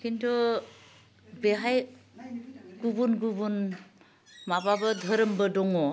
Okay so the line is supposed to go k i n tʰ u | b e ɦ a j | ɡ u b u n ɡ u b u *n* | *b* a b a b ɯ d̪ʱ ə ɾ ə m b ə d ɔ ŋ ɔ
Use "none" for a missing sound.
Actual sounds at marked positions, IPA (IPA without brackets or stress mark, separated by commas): n, m